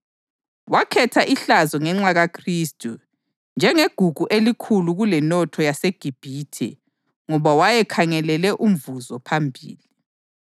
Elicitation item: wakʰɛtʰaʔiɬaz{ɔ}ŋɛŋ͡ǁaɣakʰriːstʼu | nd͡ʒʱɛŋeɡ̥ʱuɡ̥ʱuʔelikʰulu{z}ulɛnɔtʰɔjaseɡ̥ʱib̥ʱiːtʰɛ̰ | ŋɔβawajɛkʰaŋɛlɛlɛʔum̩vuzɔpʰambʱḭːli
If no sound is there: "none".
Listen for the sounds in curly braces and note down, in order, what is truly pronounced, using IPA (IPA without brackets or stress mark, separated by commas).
ɔ, ɣ